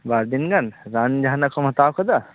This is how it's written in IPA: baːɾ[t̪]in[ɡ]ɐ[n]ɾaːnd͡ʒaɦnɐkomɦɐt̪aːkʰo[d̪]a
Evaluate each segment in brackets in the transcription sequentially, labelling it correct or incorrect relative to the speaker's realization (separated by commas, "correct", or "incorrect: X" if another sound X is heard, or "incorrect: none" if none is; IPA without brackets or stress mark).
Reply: incorrect: d̪, correct, correct, correct